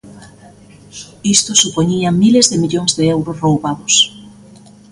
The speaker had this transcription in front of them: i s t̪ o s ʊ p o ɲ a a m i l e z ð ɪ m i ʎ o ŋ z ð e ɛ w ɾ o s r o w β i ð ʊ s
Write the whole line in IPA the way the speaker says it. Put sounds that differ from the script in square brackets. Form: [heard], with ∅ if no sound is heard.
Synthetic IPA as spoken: i s t̪ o s [u] p o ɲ [i] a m i l e z ð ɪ m i ʎ o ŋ z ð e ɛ w ɾ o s r o w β [a] ð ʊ s